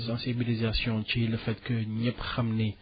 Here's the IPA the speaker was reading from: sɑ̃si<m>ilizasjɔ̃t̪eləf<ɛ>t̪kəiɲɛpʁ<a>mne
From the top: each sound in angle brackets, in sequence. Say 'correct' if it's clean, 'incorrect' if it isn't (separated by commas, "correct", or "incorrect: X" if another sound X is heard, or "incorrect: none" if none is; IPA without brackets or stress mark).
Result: incorrect: b, correct, correct